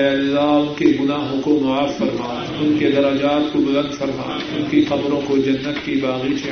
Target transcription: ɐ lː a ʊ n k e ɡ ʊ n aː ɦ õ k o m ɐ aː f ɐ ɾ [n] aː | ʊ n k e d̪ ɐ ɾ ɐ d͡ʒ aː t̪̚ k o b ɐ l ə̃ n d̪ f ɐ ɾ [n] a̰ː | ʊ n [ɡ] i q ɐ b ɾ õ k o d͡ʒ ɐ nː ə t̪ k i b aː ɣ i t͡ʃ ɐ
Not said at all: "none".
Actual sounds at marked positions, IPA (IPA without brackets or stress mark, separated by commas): m, m, k